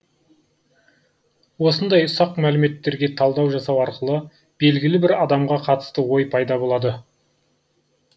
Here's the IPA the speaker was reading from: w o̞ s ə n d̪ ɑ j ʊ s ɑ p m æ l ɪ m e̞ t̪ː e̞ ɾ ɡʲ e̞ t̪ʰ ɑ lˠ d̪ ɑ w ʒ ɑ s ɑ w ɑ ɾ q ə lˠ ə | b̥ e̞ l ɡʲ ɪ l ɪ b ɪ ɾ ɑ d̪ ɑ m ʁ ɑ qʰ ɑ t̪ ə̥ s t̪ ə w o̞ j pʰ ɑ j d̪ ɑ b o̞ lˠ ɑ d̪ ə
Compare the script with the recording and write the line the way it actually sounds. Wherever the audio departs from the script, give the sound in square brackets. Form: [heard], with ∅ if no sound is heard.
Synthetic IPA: w o̞ s ə n d̪ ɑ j ʊ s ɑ [q] m æ l ɪ m e̞ t̪ː e̞ ɾ ɡʲ e̞ t̪ʰ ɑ lˠ d̪ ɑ w ʒ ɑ s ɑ w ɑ ɾ q ə lˠ ə | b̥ e̞ l ɡʲ ɪ l ɪ b ɪ ɾ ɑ d̪ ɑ m ʁ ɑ qʰ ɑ t̪ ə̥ s t̪ ə w o̞ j pʰ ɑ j d̪ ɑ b o̞ lˠ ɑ d̪ ə